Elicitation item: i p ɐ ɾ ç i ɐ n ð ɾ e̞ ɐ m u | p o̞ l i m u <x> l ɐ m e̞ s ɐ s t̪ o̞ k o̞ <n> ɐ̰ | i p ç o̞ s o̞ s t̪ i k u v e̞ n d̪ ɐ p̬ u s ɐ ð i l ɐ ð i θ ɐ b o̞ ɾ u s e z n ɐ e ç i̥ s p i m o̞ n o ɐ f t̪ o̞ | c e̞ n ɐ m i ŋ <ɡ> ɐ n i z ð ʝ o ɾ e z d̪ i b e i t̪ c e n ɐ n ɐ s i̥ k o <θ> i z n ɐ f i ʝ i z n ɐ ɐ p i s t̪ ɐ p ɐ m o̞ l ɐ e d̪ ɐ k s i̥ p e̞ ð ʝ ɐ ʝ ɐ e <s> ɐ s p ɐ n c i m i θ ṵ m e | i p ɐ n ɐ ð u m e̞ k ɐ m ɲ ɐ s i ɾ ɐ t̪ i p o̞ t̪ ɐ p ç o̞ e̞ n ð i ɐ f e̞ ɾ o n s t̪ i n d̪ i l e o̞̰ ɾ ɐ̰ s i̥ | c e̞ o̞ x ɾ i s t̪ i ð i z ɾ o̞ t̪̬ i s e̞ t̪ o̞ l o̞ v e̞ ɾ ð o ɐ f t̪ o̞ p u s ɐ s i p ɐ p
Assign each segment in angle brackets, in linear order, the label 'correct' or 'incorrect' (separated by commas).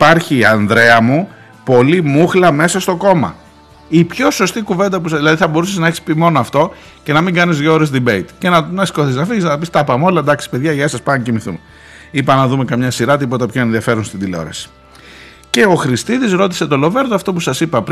correct, incorrect, correct, correct, correct